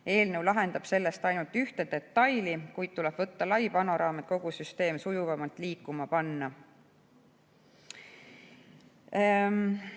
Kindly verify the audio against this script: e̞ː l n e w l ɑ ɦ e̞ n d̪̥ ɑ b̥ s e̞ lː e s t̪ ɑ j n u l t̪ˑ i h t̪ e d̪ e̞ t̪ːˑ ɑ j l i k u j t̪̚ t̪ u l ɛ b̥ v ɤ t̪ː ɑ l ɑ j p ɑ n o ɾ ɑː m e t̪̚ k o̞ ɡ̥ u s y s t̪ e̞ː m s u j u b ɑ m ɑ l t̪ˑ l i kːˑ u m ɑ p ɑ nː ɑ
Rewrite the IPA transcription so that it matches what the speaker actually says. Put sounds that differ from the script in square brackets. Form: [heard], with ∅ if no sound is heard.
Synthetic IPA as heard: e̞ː l n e w l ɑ ɦ e̞ n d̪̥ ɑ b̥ s e̞ lː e s t̪ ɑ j n u l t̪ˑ [y] h t̪ e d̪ e̞ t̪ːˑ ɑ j l i k u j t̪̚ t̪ u l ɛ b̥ v ɤ t̪ː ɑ l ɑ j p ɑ n o ɾ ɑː m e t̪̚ k o̞ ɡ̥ u s y s t̪ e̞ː m s u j u [v] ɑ m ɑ l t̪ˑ l [iː] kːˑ u m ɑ p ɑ nː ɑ